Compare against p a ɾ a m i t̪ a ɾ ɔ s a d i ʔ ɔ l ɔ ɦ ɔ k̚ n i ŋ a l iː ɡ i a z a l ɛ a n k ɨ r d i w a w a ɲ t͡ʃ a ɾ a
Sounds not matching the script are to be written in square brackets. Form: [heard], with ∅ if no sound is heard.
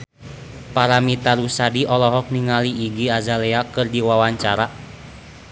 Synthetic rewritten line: p a ɾ a m i t̪ a ɾ [u] s a d i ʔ ɔ l ɔ ɦ ɔ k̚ n i ŋ a l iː ɡ i a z a l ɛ a [∅] k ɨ r d i w a w a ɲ t͡ʃ a ɾ a